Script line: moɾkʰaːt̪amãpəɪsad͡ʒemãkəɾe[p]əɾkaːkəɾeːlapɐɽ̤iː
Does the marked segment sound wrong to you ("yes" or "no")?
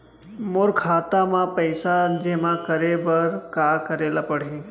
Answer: yes